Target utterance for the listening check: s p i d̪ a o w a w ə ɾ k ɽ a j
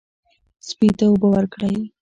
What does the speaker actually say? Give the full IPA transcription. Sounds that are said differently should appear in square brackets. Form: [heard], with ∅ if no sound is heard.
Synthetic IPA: s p i [t̪] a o [b] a w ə ɾ k ɽ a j